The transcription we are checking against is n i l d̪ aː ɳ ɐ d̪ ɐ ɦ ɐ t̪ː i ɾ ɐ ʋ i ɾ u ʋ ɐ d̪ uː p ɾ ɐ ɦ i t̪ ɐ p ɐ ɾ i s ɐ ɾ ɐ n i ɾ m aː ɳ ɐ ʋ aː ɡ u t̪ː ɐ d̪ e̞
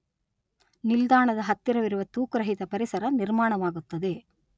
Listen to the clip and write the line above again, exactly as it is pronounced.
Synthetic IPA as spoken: n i l d̪ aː ɳ ɐ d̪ ɐ ɦ ɐ t̪ː i ɾ ɐ ʋ i ɾ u ʋ ɐ t̪ uː k ɾ ɐ ɦ i t̪ ɐ p ɐ ɾ i s ɐ ɾ ɐ n i ɾ m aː ɳ ɐ ʋ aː ɡ u t̪ː ɐ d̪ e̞

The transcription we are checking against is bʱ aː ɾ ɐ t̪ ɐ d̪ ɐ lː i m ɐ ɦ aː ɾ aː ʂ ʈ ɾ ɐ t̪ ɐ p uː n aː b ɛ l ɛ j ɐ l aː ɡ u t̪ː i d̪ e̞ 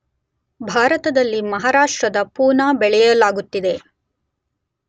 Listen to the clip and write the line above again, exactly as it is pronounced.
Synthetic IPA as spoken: bʱ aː ɾ ɐ t̪ ɐ d̪ ɐ lː i m ɐ ɦ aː ɾ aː ʂ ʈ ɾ ɐ d̪ ɐ p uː n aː b ɛ ɭ ɛ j ɐ l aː ɡ u t̪ː i d̪ e̞

